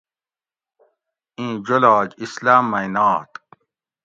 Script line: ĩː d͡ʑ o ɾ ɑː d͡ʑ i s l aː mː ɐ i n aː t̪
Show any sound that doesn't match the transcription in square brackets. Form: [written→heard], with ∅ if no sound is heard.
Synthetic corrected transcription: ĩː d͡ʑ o [ɾ→l] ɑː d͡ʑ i s l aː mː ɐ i n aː t̪